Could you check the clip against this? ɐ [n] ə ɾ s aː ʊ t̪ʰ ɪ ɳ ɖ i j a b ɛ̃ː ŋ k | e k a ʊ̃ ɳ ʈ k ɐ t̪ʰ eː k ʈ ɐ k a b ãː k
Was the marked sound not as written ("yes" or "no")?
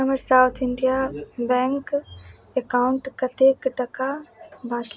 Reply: yes